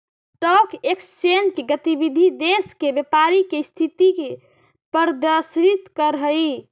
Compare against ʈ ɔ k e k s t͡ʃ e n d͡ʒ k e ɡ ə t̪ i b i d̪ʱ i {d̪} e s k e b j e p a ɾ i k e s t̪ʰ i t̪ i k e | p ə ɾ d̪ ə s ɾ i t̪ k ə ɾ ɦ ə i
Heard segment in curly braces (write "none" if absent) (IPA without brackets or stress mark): d̪